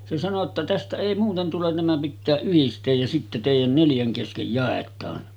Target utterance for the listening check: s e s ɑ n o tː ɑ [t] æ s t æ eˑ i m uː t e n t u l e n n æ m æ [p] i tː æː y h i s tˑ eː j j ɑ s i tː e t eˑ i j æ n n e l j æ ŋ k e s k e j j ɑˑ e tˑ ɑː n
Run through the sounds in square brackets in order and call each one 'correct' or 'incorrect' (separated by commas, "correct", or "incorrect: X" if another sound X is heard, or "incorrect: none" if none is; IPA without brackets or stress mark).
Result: correct, correct